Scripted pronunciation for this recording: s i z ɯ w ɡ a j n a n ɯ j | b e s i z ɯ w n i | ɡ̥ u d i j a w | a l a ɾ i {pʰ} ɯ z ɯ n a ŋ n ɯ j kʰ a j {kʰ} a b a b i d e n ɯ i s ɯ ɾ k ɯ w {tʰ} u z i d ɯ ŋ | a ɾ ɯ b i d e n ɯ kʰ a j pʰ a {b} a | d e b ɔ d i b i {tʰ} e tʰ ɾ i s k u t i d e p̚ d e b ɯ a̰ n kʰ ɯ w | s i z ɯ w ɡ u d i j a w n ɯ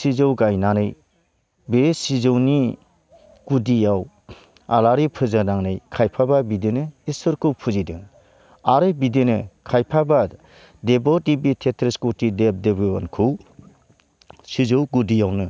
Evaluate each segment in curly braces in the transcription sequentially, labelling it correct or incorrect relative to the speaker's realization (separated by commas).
correct, incorrect, incorrect, correct, correct